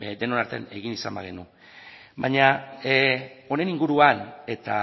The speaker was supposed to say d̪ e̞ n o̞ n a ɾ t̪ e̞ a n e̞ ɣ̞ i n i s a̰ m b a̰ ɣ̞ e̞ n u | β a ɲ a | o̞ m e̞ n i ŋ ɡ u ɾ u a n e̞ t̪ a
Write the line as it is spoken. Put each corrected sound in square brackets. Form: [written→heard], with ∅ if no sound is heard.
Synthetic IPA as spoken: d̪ e̞ n o̞ n a ɾ t̪ e̞ a n e̞ ɣ̞ i n i s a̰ m b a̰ ɣ̞ e̞ n u | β a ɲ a | o̞ [m→n] e̞ n i ŋ ɡ u ɾ u a n e̞ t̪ a